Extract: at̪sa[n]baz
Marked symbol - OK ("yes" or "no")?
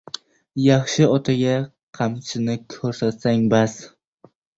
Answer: no